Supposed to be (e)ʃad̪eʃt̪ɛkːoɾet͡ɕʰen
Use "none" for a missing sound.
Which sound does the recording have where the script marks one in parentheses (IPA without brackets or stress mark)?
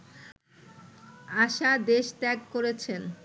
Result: a